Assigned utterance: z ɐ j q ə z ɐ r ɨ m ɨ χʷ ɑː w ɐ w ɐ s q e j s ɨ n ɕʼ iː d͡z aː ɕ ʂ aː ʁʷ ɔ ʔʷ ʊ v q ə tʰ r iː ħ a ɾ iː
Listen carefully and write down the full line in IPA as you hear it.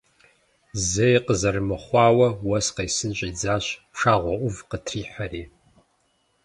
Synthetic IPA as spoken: z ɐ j q ə z ɐ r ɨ m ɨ χʷ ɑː w ɐ w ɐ s q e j s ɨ n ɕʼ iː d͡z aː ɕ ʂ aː ʁʷ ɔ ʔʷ ʊ v q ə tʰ r iː ħ a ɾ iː